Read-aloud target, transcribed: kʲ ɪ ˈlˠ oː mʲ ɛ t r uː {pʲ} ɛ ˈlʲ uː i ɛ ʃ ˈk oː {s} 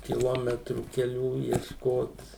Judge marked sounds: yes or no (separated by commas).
no, no